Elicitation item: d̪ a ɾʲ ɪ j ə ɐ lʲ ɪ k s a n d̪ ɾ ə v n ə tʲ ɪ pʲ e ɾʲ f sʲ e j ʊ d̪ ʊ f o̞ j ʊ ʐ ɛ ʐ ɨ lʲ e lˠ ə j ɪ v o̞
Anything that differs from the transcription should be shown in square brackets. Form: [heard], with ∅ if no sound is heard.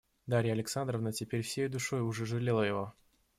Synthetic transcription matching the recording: d̪ a ɾʲ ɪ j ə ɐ lʲ ɪ k s a n d̪ ɾ ə v n ə tʲ ɪ pʲ e ɾʲ f sʲ e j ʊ d̪ ʊ [ʂ] o̞ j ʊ ʐ ɛ ʐ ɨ lʲ e lˠ ə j ɪ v o̞